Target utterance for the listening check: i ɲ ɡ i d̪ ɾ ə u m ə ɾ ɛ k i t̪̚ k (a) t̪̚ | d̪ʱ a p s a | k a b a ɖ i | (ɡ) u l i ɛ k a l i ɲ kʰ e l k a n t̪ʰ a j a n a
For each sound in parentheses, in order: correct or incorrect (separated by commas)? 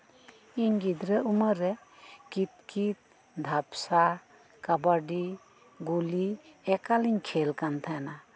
incorrect, correct